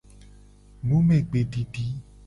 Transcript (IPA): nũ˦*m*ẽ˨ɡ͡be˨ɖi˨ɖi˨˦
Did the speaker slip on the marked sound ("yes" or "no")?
no